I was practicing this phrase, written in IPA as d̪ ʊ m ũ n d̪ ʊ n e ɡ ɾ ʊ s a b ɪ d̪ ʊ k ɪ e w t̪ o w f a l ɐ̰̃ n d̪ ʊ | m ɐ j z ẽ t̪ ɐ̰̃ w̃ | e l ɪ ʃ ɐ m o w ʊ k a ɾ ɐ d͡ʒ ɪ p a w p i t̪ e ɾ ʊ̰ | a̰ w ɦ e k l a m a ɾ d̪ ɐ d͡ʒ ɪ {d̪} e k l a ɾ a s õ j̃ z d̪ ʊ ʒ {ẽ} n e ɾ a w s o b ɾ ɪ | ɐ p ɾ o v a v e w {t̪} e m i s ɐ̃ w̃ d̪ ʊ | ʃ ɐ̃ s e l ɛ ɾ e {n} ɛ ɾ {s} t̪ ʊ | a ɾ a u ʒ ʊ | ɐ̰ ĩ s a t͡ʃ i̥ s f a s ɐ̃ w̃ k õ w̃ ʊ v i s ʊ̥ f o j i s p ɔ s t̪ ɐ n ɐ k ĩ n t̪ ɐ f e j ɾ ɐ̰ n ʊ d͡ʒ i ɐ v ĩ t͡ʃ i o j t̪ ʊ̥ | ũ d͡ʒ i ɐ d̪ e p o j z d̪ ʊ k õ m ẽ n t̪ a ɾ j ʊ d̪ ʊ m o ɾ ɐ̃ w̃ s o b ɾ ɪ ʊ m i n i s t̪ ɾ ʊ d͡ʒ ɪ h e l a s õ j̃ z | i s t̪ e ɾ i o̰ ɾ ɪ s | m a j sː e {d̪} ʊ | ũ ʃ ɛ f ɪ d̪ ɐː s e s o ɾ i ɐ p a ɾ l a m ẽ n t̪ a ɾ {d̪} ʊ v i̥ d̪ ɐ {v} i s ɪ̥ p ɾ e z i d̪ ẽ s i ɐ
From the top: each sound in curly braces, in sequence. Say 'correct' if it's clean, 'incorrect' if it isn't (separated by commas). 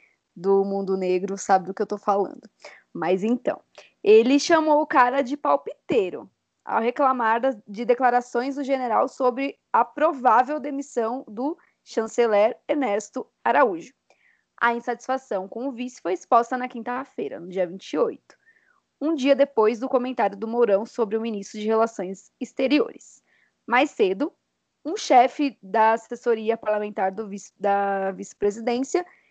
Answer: correct, incorrect, incorrect, correct, correct, correct, correct, correct